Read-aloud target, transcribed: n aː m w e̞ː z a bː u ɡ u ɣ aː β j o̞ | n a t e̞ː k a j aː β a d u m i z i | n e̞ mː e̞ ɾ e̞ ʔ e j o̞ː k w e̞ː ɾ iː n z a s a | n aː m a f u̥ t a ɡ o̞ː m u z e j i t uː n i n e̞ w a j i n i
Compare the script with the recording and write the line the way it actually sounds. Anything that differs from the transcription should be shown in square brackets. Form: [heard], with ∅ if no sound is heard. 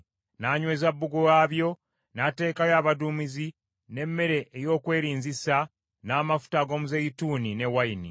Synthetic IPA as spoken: n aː [ɲ] w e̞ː z a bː u ɡ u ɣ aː β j o̞ | n a t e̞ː k a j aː β a d u m i z i | n e̞ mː e̞ ɾ e̞ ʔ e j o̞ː k w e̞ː ɾ iː n z [i] s a | n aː m a f u̥ t a ɡ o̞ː m u z e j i t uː n i n e̞ w a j i n i